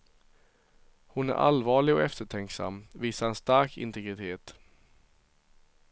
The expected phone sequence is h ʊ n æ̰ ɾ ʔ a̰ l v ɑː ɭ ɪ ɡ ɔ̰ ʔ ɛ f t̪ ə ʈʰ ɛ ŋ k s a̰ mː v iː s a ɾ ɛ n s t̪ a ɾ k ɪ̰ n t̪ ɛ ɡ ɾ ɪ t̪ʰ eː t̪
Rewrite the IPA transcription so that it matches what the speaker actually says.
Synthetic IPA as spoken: h ʊ n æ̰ ɾ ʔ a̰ l v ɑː ɭ ɪ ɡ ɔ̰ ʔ ɛ f t̪ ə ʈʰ ɛ ŋ k s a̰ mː v iː s a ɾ ɛ n s t̪ a ɾ k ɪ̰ n t̪ ɛ ɡ ɾ ɪ t̪ʰ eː t̪